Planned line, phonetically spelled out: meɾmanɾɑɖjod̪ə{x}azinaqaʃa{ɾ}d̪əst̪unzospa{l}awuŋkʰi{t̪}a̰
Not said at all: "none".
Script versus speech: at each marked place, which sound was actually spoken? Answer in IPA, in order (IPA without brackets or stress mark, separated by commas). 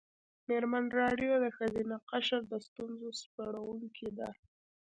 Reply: x, ɾ, ɽ, d̪